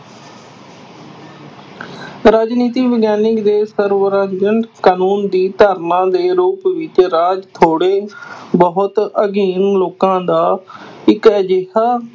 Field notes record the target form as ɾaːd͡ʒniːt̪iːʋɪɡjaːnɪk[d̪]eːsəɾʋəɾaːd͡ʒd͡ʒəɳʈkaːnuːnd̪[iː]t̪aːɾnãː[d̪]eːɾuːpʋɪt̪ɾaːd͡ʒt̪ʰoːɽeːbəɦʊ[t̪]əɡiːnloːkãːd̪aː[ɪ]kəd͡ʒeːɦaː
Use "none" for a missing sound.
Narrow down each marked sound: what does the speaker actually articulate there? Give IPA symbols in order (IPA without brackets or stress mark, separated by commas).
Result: d̪, iː, d̪, t̪, ɪ